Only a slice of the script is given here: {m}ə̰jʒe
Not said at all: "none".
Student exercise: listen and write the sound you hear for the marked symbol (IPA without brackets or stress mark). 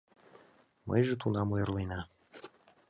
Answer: m